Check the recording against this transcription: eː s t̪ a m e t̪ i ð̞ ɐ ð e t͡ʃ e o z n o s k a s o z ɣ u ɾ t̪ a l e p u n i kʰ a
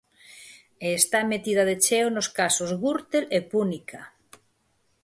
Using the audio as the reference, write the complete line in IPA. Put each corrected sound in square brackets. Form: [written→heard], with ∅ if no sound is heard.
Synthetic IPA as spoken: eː s t̪ a m e t̪ i ð̞ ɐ ð e t͡ʃ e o [z→∅] n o s k a s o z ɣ u ɾ t̪ [a→e] l e p u n i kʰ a

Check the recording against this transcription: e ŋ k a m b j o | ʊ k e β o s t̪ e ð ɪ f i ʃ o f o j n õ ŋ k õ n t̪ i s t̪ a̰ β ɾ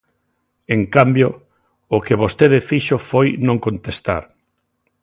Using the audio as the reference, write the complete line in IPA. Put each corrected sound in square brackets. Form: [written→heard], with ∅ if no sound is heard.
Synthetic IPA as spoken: e ŋ k a m b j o | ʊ k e β o s t̪ e ð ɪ f i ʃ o f o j n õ ŋ k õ n t̪ [i→e] s t̪ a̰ [β→∅] ɾ

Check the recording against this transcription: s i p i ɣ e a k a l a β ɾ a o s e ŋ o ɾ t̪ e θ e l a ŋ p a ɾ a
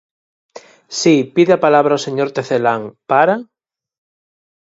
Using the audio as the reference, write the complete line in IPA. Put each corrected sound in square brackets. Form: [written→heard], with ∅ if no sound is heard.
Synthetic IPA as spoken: s i p i [ɣ→ð] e a [k→p] a l a β ɾ a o s e [ŋ→ɲ] o ɾ t̪ e θ e l a ŋ p a ɾ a

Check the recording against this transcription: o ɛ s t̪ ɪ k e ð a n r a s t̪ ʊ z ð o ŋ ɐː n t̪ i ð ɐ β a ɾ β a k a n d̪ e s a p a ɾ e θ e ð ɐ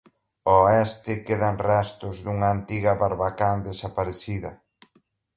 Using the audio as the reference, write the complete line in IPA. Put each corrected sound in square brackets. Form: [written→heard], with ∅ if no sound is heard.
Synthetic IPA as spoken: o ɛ s t̪ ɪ k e ð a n r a s t̪ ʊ z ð [o→u] ŋ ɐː n t̪ i [ð→ɣ] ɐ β a ɾ β a k a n d̪ e s a p a ɾ e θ [e→i] ð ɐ

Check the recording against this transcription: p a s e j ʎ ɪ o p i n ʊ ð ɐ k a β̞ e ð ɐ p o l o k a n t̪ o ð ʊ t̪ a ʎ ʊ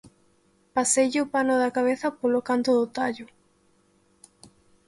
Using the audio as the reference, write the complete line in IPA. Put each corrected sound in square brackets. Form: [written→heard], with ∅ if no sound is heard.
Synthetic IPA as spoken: p a s e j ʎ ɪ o p [i→a] n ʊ ð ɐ k a β̞ e [ð→θ] ɐ p o l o k a n t̪ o ð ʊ t̪ a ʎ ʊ

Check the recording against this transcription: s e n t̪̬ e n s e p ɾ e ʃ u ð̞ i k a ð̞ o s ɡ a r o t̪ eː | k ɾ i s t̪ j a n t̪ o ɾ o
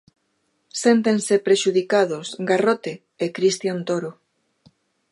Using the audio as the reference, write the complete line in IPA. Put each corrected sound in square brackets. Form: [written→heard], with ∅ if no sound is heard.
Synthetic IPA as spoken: s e n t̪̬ e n s e p ɾ e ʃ u ð̞ i k a ð̞ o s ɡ a r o t̪ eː | k ɾ i s t̪ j a n t̪ o ɾ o

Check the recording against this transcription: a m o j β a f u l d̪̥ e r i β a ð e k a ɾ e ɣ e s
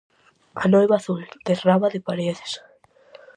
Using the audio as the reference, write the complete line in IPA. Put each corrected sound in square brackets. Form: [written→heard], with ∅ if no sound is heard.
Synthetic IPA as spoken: a [m→n] o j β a [f→θ] u l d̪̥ e r [i→a] β a ð e [k→p] a ɾ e [ɣ→ð] e s

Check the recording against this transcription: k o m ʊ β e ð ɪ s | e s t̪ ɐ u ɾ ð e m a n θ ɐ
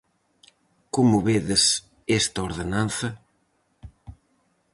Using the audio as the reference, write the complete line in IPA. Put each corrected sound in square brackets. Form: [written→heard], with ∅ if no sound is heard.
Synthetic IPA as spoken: k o m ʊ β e ð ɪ s | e s t̪ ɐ [u→o] ɾ ð e [m→n] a n θ ɐ

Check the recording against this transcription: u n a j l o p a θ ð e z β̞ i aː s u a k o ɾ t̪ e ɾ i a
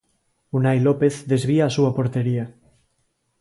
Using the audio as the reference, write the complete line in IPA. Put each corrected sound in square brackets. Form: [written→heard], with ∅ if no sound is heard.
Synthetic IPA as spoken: u n a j l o p [a→e] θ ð e z β̞ i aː s u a [k→p] o ɾ t̪ e ɾ i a

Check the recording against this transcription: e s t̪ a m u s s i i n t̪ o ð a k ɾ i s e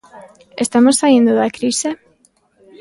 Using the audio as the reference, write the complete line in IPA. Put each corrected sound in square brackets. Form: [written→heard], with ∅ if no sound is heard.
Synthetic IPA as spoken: e s t̪ a m [u→o] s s [i→a] i n [t̪→d̪] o ð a k ɾ i s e

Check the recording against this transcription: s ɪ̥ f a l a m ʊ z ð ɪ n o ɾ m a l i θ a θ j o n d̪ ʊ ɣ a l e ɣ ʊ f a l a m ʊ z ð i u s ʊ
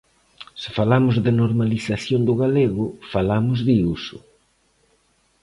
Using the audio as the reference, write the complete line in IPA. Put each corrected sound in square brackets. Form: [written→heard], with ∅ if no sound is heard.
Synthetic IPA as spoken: s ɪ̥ f a l a m ʊ z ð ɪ n o ɾ m a l i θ a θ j o n d̪ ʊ ɣ a l e ɣ ʊ f a l a m ʊ z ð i u s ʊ

